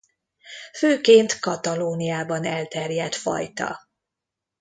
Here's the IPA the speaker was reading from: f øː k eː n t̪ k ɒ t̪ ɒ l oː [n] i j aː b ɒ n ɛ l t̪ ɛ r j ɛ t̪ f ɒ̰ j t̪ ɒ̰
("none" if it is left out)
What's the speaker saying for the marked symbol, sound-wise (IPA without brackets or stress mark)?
n